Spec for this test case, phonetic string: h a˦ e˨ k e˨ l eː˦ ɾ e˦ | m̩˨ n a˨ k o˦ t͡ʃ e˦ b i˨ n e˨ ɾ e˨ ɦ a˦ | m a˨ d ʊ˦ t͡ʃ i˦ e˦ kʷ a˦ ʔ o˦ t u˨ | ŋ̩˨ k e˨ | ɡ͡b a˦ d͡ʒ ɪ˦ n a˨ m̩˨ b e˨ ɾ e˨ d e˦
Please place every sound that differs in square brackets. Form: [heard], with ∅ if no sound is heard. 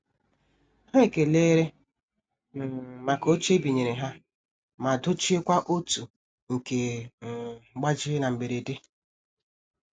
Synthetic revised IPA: h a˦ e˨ k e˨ l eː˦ ɾ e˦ | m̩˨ [m] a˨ k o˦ t͡ʃ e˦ b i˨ [ɲ] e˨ ɾ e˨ ɦ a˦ | m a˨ d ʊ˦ t͡ʃ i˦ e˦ kʷ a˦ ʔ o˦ t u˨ | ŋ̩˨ k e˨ | ɡ͡b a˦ d͡ʒ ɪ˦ n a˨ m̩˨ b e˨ ɾ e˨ d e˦